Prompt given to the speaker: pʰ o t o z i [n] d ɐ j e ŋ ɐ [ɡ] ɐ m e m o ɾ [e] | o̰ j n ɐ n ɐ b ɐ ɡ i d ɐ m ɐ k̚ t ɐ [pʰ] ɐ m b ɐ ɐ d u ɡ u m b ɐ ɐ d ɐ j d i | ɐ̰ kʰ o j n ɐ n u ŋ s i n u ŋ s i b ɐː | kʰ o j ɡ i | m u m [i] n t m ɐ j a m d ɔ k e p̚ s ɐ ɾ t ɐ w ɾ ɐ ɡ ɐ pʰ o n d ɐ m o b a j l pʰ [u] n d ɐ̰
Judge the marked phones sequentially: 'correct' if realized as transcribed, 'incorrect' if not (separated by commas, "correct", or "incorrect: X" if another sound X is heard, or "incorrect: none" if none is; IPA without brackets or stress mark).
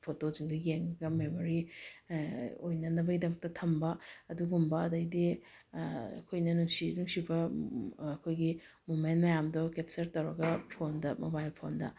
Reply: incorrect: ŋ, correct, incorrect: i, incorrect: tʰ, incorrect: e, incorrect: o